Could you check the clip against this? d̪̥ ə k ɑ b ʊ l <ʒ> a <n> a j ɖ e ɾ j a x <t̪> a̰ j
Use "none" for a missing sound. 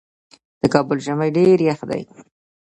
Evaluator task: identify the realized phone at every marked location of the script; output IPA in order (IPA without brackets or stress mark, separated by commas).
ʒ, m, d̪